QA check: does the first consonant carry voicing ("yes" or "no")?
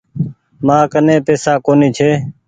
yes